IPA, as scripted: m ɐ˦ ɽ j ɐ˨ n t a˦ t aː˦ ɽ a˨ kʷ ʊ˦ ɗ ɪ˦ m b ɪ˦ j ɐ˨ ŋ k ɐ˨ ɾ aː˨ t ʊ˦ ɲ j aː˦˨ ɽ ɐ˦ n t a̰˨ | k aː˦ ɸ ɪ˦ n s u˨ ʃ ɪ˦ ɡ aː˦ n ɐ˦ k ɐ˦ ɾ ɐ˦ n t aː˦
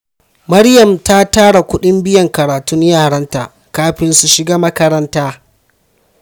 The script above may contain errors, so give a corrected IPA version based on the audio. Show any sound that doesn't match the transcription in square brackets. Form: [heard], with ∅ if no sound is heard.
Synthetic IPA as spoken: m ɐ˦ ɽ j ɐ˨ [m] t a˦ t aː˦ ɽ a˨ kʷ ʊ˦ ɗ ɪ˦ m b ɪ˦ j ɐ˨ ŋ k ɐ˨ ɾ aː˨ t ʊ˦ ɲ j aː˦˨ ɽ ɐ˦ n t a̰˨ | k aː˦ ɸ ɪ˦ n s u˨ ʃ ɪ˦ ɡ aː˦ [m] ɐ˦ k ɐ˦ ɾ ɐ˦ n t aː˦